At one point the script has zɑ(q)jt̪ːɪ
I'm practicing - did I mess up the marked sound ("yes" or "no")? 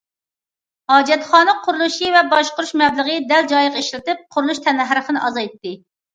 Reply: yes